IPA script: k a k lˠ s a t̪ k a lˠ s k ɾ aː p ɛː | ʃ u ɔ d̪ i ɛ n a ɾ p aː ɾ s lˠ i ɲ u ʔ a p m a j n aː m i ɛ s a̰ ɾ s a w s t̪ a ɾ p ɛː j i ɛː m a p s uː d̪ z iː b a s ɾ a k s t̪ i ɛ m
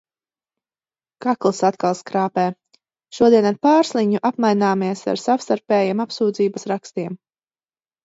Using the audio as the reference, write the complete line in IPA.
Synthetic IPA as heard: k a k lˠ s a t̪ k a lˠ s k ɾ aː p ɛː | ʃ u ɔ d̪ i ɛ n a ɾ p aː ɾ s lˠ i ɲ u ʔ a p m a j n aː m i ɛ s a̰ ɾ s a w s t̪ a ɾ p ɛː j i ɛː m a p s uː d̪ z iː b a s ɾ a k s t̪ i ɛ m